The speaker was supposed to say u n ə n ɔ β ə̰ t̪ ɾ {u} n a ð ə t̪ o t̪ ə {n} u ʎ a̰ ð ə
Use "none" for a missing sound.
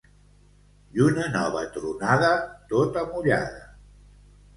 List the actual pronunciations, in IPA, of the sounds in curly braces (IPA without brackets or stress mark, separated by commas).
u, m